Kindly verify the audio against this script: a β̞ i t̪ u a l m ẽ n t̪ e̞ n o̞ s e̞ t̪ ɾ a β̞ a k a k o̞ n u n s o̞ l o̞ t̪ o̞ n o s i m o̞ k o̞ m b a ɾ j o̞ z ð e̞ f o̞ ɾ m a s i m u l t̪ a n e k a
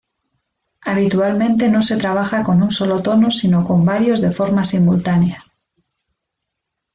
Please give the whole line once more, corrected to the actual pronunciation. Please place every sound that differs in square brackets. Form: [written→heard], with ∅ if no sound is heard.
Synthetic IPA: a β̞ i t̪ u a l m ẽ n t̪ e̞ n o̞ s e̞ t̪ ɾ a β̞ a [k→x] a k o̞ n u n s o̞ l o̞ t̪ o̞ n o s i [m→n] o̞ k o̞ m b a ɾ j o̞ z ð e̞ f o̞ ɾ m a s i m u l t̪ a n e [k→∅] a